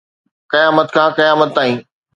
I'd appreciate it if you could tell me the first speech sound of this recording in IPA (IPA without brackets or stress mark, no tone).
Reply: k